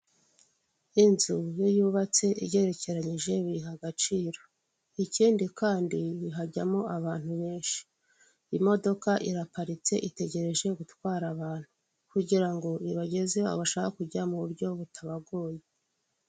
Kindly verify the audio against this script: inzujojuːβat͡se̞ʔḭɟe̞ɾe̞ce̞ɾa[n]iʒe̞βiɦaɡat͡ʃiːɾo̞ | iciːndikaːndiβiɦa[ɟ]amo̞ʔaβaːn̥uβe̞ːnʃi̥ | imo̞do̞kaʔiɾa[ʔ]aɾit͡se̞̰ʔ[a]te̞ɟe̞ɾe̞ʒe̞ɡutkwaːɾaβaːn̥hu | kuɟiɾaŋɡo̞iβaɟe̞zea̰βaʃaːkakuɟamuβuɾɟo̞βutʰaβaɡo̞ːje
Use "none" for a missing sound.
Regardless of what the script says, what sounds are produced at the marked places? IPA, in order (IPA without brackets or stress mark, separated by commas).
ɲ, ɟ, p, i